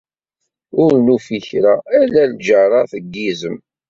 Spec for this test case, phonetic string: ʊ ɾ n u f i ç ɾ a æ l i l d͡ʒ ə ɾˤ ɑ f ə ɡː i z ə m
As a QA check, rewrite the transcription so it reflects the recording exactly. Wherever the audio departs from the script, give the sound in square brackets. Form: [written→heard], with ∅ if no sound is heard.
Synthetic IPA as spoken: ʊ ɾ n u f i ç ɾ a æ l [i→æ] l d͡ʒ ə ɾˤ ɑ [f→θ] ə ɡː i z ə m